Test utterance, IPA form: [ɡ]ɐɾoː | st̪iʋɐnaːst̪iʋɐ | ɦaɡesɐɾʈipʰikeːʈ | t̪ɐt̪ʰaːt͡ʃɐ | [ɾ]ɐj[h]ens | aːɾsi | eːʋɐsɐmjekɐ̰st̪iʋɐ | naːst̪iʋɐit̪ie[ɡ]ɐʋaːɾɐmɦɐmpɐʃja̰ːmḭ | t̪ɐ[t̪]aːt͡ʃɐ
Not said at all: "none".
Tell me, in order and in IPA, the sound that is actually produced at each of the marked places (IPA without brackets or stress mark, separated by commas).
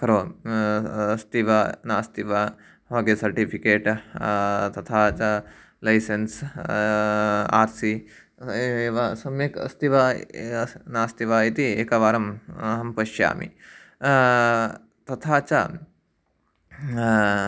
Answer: k, l, s, k, t̪ʰ